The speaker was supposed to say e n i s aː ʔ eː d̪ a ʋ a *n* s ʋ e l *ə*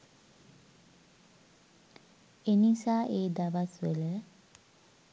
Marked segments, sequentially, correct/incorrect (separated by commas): incorrect, correct